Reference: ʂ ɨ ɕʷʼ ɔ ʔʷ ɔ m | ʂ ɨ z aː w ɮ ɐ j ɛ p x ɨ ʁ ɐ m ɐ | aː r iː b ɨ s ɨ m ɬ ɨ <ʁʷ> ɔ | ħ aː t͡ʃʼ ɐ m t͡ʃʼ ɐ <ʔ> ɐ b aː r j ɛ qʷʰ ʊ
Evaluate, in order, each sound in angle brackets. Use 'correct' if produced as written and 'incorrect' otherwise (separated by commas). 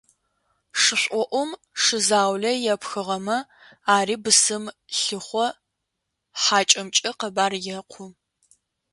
incorrect, incorrect